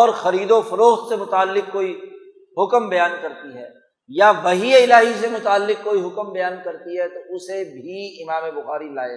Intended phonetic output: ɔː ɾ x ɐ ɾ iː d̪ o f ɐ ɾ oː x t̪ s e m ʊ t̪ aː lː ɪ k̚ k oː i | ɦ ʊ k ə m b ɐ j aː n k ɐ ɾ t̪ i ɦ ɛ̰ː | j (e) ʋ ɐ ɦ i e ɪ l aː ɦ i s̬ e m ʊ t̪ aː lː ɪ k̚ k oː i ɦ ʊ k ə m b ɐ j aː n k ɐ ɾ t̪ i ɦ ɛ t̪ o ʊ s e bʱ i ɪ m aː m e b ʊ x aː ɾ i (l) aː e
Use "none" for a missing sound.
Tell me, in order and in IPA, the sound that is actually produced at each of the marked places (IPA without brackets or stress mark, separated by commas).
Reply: a, l